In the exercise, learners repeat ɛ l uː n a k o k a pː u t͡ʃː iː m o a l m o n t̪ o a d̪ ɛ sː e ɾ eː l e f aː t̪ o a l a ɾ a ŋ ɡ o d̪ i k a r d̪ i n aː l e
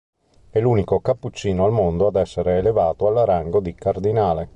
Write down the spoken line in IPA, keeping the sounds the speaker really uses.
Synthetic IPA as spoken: ɛ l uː n i k o k a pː u t͡ʃː iː n o a l m o n d̪ o a d̪ ɛ sː e ɾ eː l e v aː t̪ o a l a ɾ a ŋ ɡ o d̪ i k a r d̪ i n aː l e